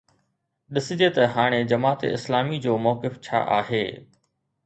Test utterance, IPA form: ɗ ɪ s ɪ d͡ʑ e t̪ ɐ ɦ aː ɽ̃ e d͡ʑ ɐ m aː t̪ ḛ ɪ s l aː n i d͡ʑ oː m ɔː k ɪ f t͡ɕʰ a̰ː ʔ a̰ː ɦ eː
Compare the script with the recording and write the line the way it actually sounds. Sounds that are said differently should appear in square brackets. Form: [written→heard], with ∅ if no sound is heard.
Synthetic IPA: ɗ ɪ s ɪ d͡ʑ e t̪ ɐ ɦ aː ɽ̃ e d͡ʑ ɐ m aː t̪ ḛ ɪ s l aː [n→m] i d͡ʑ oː m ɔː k ɪ f t͡ɕʰ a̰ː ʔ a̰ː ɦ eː